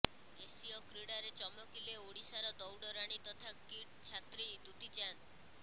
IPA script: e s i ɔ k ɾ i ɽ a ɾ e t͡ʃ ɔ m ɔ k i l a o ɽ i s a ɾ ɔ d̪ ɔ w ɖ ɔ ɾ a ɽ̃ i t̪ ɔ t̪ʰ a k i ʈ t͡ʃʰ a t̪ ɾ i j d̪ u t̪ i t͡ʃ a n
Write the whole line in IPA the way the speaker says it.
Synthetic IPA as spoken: e s i ɔ k ɾ i ɽ a ɾ e t͡ʃ ɔ m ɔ k i l e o ɽ i s a ɾ ɔ d̪ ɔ w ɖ ɔ ɾ a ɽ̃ i t̪ ɔ t̪ʰ a k i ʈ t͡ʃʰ a t̪ ɾ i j d̪ u t̪ i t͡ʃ a n